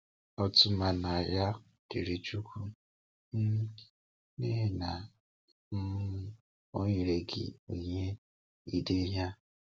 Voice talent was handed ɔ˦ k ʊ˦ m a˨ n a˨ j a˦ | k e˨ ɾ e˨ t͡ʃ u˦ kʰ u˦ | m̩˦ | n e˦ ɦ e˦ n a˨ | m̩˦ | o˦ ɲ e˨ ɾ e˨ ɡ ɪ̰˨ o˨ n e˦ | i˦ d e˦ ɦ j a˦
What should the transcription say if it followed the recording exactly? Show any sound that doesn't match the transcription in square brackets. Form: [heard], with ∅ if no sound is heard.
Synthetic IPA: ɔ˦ [t] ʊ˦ m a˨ n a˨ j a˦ | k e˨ ɾ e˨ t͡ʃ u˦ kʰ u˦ | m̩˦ | n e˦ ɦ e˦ n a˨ | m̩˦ | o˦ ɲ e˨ ɾ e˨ ɡ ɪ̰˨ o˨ [ɲ] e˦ | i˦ d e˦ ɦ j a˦